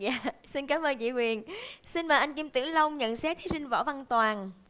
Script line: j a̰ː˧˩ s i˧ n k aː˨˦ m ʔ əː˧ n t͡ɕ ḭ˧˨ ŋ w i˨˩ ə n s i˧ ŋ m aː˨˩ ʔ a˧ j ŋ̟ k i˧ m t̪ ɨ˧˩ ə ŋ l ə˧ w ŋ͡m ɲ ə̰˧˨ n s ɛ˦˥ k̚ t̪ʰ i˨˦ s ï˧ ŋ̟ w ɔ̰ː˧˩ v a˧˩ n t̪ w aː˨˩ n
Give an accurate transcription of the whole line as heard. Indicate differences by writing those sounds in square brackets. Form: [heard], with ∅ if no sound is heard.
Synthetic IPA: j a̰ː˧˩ s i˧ n k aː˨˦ m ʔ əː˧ n t͡ɕ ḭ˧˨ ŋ w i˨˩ ə n s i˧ [n] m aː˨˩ ʔ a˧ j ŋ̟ k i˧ m t̪ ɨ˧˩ ə ŋ l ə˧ w ŋ͡m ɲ ə̰˧˨ n s ɛ˦˥ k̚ t̪ʰ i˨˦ s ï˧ ŋ̟ [v] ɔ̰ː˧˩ v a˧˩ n t̪ w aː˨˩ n